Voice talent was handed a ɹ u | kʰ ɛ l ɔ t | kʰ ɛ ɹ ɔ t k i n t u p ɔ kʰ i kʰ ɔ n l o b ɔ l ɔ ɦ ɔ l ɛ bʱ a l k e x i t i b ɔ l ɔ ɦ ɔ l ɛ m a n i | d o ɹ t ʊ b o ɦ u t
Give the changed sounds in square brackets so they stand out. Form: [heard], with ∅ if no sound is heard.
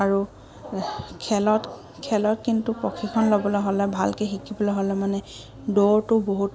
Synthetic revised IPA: a ɹ u | kʰ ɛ l ɔ t | kʰ ɛ [l] ɔ t k i n t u p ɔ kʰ i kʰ ɔ n l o b ɔ l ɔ ɦ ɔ l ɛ bʱ a l k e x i [k] i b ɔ l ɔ ɦ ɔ l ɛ m a n [ɛ] | d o ɹ t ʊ b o ɦ u t